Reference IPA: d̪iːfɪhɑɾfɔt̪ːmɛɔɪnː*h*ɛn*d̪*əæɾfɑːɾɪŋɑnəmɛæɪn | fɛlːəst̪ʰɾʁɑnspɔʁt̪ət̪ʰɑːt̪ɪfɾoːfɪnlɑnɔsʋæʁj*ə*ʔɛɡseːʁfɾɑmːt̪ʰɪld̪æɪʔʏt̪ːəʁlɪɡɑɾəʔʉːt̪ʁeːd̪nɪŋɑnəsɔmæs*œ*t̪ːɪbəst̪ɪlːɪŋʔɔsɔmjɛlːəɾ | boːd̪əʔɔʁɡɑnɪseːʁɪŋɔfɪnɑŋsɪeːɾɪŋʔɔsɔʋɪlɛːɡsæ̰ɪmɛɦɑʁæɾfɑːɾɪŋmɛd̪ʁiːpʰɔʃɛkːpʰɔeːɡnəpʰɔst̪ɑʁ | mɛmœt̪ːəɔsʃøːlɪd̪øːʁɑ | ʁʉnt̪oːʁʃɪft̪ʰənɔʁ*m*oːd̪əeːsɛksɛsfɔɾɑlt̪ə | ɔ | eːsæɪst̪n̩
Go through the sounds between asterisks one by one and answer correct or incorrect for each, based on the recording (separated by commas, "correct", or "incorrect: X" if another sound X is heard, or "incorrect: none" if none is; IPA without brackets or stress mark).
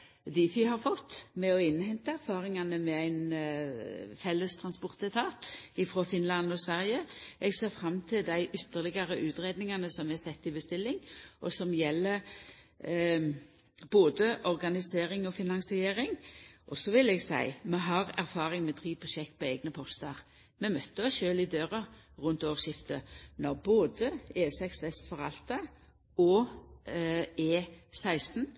correct, incorrect: t̪, correct, incorrect: ɛ, incorrect: b